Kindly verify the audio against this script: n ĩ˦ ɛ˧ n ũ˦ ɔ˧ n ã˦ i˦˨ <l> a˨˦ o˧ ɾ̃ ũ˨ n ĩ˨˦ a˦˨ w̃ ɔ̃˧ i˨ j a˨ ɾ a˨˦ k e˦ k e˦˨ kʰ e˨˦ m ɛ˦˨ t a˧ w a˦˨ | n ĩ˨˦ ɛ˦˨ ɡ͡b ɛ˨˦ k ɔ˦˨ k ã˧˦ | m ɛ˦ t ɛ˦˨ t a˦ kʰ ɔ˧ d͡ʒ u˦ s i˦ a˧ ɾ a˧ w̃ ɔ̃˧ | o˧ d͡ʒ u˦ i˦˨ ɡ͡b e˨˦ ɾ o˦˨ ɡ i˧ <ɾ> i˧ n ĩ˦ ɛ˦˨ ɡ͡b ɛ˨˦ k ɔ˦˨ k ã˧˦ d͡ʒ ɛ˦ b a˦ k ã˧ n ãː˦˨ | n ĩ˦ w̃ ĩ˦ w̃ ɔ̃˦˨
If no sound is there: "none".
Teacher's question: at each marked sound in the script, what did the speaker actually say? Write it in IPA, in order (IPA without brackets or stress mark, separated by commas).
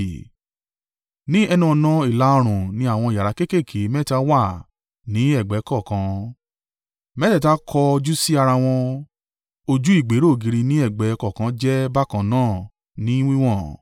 l, ɾ